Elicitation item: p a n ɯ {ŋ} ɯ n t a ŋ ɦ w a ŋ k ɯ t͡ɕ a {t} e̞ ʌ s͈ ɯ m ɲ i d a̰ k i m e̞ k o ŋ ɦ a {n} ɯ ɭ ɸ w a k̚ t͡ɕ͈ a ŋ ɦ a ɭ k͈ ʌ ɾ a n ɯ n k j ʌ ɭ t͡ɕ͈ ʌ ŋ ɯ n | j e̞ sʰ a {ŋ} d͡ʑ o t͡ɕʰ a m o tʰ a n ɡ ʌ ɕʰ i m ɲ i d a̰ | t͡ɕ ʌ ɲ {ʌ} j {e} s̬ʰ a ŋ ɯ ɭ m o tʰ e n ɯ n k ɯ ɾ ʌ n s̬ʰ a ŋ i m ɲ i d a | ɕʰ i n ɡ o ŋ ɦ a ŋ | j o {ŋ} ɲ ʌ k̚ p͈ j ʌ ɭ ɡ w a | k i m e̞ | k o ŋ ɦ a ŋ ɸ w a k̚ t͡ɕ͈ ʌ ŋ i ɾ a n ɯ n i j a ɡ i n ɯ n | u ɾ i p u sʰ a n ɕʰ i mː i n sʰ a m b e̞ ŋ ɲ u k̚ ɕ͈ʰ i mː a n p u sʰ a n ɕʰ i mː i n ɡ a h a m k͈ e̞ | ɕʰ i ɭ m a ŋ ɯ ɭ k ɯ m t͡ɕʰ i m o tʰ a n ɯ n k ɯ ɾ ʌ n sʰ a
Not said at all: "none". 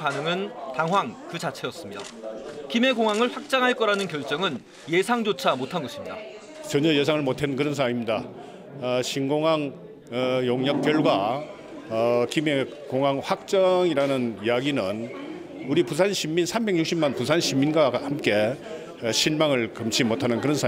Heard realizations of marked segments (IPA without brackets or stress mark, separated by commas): ŋ, t͡ɕʰ, ŋ, ŋ, ʌ, e, ŋ